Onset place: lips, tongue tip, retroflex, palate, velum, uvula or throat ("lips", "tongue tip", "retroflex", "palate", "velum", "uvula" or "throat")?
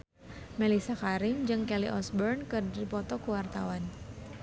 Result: lips